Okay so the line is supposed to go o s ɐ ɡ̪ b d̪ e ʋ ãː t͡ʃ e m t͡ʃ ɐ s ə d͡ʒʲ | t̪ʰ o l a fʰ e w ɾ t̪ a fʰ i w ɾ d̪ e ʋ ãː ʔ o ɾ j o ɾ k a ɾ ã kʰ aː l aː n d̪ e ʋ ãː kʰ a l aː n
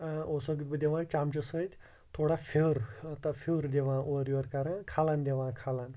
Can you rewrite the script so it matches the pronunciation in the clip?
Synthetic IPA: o s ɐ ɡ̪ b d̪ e ʋ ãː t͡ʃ a m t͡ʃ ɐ s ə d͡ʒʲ | t̪ʰ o ɽ a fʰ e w ɾ t̪ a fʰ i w ɾ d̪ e ʋ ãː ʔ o ɾ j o ɾ k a ɾ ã kʰ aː l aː n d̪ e ʋ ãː kʰ a l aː n